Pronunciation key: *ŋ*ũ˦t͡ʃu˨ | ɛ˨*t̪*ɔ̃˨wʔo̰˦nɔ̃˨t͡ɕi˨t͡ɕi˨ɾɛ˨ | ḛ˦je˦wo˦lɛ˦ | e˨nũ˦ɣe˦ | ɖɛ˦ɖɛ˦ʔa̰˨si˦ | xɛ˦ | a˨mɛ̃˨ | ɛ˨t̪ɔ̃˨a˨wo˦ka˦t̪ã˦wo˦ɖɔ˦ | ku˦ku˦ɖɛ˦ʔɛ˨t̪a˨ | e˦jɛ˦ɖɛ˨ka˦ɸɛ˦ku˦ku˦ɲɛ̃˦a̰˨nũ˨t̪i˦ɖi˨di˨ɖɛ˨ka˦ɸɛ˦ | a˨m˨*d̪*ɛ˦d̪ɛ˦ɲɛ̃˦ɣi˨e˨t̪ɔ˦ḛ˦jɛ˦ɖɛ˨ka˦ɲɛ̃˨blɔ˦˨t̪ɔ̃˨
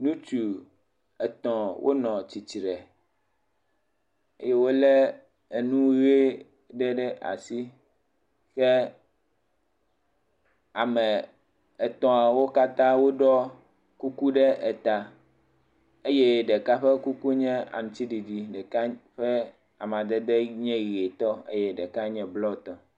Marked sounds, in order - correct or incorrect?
incorrect, correct, correct

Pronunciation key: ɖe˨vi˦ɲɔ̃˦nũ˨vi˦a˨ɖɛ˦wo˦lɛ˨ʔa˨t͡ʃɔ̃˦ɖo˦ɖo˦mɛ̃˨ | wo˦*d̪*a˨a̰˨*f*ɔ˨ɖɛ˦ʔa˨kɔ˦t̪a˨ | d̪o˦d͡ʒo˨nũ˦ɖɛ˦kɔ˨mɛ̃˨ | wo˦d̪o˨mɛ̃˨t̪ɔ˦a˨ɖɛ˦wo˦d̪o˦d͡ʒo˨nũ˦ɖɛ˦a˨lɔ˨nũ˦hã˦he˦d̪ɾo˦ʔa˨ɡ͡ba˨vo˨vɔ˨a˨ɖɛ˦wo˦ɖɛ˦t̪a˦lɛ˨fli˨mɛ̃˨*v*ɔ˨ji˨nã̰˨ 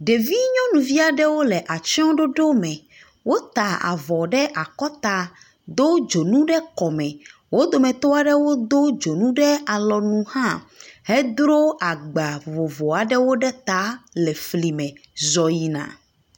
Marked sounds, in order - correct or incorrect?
incorrect, incorrect, incorrect

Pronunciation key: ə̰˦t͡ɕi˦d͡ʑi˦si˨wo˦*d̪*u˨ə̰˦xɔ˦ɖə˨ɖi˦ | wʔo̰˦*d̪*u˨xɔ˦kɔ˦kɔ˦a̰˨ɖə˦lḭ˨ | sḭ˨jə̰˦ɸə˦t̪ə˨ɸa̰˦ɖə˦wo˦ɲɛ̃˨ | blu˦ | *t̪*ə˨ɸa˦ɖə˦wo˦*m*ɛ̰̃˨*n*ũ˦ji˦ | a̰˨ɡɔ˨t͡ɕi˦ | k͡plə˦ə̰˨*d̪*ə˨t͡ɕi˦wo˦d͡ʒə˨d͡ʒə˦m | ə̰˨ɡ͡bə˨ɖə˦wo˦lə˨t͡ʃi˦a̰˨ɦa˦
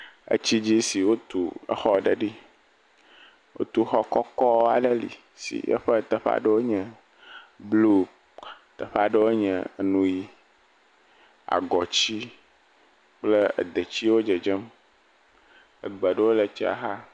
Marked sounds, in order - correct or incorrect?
incorrect, incorrect, correct, incorrect, correct, correct

